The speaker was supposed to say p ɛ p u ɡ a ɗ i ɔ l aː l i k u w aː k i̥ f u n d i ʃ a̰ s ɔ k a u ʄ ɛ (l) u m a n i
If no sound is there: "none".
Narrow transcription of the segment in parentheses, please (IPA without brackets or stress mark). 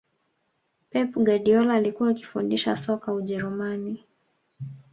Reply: ɾ